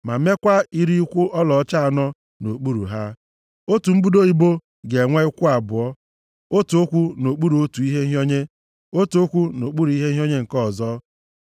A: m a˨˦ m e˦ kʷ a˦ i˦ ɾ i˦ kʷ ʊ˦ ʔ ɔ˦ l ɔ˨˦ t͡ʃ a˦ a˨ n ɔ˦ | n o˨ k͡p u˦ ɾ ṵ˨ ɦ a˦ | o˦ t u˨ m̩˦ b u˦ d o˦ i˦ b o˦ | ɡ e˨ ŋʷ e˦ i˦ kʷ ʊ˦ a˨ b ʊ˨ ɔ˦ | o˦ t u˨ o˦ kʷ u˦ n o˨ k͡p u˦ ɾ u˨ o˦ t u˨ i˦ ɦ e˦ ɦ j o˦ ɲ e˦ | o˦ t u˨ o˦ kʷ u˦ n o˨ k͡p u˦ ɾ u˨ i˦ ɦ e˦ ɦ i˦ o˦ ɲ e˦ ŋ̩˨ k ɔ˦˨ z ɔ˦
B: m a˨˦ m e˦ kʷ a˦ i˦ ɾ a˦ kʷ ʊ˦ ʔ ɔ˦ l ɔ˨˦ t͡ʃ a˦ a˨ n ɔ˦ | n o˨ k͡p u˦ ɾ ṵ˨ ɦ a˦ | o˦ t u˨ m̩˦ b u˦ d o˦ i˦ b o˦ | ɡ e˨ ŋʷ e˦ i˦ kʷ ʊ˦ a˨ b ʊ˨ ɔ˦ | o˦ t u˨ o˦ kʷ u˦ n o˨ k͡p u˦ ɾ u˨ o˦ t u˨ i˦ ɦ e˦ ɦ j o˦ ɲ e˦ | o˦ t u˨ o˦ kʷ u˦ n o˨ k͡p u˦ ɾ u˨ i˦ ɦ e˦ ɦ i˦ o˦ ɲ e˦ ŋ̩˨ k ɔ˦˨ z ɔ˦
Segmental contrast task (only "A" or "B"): A